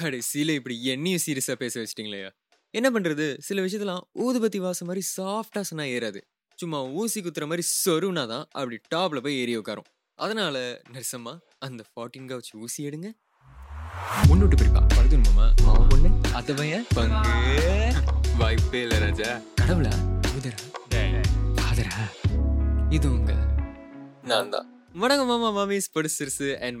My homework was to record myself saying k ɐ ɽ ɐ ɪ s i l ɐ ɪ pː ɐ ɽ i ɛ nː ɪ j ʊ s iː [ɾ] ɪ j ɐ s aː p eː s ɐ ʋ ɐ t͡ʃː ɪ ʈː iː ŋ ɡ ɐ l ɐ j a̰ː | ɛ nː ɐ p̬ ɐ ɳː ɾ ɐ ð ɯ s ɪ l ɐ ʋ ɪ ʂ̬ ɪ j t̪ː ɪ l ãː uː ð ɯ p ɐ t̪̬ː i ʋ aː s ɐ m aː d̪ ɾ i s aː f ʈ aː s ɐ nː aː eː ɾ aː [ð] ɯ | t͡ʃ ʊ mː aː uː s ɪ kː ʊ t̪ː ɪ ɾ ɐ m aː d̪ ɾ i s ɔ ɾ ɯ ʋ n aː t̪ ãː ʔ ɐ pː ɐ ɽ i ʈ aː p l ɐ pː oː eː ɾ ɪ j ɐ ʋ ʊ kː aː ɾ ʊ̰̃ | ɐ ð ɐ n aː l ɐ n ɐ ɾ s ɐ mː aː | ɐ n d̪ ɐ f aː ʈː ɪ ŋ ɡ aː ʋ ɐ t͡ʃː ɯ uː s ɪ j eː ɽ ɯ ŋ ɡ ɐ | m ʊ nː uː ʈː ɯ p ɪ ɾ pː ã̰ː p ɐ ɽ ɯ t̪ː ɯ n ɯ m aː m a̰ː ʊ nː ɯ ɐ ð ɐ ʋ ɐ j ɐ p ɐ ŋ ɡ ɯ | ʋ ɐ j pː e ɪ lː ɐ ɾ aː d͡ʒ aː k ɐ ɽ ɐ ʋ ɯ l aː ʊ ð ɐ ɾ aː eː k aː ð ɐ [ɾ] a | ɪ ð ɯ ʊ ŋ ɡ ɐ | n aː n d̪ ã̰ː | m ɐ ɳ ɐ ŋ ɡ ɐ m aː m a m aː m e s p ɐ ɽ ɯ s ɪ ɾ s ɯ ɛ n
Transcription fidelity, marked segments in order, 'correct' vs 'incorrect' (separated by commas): correct, correct, correct